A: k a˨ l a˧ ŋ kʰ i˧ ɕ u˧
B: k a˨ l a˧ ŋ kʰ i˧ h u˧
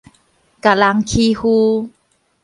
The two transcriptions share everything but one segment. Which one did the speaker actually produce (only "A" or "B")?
B